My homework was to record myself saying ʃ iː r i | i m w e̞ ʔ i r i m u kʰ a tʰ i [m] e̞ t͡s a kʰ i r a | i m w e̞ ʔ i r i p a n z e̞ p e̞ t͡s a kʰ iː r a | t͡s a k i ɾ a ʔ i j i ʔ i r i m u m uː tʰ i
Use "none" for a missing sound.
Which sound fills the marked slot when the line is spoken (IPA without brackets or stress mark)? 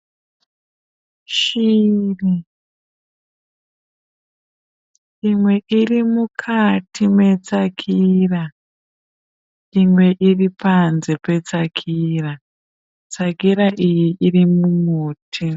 m